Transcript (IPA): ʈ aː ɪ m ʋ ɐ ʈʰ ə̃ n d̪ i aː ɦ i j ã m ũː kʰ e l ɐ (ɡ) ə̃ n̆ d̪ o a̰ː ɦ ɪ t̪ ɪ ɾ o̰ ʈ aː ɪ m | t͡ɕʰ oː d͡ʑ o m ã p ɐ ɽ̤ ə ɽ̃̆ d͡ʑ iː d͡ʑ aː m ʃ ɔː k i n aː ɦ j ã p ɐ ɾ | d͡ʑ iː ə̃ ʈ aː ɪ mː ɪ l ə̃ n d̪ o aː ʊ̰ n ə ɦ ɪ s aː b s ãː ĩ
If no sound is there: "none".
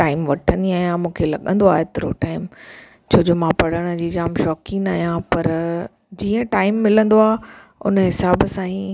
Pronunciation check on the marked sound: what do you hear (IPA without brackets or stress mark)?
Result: ɠ